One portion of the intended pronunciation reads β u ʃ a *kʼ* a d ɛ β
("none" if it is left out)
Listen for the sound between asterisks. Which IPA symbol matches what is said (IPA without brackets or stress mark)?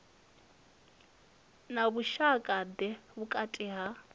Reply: kʼ